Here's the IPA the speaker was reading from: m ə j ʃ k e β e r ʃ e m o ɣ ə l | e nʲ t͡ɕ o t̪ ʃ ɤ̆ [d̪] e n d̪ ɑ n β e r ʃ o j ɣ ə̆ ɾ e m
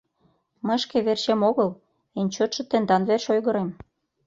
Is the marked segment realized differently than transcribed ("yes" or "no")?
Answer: yes